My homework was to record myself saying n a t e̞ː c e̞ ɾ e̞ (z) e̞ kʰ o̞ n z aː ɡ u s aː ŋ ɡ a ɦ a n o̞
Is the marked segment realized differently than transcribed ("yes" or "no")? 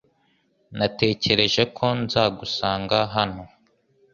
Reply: yes